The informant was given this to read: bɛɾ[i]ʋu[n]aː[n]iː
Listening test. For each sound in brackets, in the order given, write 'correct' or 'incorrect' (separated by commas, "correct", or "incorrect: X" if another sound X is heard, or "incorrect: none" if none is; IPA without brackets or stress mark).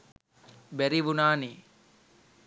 correct, correct, correct